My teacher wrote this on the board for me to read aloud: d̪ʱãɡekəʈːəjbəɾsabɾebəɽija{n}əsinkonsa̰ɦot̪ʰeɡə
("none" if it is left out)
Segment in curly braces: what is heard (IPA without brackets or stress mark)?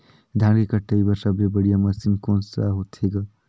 m